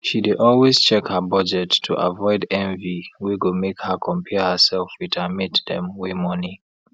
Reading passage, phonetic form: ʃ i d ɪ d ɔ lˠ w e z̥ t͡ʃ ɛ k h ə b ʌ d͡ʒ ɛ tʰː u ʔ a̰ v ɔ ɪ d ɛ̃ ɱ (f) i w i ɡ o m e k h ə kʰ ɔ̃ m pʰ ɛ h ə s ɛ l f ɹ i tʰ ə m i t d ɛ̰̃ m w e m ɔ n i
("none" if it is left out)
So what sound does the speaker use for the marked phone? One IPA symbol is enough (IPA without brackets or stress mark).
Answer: v